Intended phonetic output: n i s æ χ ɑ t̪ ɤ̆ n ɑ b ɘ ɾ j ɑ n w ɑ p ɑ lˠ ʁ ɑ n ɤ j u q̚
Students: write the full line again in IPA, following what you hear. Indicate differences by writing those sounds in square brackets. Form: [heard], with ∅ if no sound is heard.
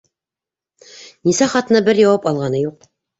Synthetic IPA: n i s æ χ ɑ t̪ ɤ̆ n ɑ b ɘ ɾ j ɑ [∅] w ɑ p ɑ lˠ ʁ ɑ n ɤ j u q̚